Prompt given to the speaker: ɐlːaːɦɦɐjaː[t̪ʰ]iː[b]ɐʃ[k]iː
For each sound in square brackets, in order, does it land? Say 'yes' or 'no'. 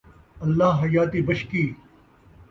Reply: no, yes, yes

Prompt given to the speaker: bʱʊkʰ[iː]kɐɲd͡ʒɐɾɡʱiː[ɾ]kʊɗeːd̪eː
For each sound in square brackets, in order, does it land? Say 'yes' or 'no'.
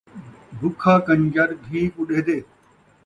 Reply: no, no

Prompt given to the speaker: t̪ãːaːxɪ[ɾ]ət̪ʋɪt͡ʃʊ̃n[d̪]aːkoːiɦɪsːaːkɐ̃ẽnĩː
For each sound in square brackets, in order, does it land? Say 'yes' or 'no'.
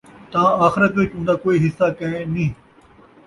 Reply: yes, yes

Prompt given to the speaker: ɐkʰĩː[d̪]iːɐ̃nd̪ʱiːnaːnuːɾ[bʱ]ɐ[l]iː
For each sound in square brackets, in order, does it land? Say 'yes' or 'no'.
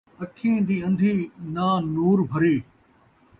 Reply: yes, yes, no

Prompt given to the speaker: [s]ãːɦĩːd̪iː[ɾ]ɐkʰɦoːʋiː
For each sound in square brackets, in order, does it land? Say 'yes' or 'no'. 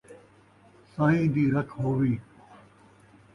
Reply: yes, yes

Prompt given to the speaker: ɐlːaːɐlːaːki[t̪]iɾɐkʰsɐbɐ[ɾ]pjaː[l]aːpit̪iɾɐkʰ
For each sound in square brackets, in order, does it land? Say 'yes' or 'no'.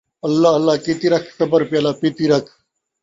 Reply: yes, yes, yes

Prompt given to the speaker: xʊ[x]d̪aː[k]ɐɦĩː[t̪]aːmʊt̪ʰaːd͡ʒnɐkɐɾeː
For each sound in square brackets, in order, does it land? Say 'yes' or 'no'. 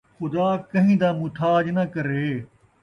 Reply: no, yes, no

